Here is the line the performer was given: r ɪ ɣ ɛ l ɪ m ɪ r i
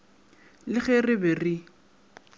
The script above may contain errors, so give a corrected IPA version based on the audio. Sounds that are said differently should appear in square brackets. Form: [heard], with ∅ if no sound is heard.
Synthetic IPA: [l] ɪ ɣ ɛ [r] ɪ [b] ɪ r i